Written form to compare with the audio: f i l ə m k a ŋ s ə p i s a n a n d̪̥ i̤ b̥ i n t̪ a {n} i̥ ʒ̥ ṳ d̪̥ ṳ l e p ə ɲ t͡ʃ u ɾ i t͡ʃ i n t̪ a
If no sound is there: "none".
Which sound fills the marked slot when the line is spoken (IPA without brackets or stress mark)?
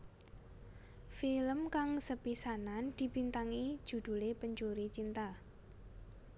ŋ